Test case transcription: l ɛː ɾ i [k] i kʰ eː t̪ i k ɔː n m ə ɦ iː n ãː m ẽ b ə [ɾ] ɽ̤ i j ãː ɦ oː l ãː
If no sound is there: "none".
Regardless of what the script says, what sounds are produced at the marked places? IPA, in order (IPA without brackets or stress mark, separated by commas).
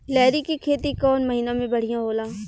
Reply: k, none